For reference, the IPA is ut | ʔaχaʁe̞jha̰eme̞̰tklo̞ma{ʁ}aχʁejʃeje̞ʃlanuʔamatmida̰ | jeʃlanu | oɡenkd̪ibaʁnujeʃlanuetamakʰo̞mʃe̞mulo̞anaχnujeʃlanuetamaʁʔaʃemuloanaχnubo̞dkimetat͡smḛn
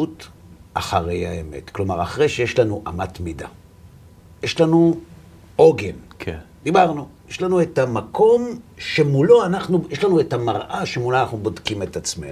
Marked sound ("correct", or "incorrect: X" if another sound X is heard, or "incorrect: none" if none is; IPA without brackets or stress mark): correct